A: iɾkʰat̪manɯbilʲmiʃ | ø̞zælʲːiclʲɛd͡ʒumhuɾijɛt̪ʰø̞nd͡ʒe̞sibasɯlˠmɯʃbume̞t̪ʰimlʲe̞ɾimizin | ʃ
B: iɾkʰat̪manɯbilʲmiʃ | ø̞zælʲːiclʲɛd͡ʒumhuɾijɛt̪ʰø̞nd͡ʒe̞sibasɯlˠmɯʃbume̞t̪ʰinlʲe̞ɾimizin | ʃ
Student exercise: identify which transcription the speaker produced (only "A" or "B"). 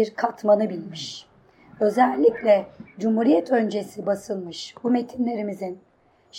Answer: B